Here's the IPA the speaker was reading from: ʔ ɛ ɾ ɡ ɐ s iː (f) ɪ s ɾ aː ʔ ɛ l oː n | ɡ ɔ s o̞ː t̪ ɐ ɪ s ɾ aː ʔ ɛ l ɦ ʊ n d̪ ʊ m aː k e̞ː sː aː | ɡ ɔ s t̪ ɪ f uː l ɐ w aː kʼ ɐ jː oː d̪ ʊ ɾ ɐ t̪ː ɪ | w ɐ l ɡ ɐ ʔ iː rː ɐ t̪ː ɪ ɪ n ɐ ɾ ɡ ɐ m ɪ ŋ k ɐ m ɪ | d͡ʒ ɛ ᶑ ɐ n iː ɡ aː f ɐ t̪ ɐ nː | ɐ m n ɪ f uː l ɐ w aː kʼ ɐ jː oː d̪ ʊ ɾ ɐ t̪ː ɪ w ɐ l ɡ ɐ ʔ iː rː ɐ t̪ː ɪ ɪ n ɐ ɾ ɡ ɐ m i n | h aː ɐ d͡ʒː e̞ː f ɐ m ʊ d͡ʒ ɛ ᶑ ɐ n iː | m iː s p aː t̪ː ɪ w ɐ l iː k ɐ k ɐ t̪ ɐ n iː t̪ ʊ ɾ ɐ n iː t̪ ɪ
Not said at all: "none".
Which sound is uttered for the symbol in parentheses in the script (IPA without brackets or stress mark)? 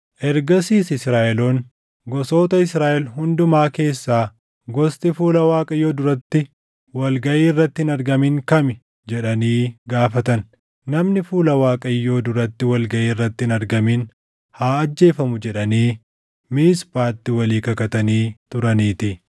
s